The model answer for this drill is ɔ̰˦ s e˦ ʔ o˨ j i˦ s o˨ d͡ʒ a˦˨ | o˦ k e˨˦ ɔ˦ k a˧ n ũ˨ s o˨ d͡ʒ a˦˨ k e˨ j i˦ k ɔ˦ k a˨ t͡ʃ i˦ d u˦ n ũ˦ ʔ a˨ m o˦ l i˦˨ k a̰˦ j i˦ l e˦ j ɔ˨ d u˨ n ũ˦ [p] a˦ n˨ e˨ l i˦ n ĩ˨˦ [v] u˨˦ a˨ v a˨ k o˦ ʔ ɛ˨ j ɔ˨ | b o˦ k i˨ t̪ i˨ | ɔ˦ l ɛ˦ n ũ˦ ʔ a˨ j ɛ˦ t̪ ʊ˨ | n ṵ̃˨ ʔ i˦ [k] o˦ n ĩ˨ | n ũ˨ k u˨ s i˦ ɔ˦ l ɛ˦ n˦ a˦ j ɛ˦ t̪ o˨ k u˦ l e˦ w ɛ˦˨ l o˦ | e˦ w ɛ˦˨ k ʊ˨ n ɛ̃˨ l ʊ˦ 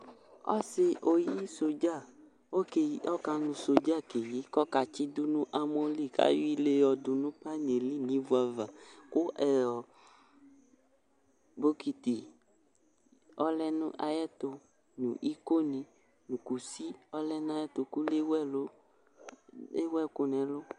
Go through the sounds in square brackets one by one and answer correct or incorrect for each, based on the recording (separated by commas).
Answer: correct, correct, correct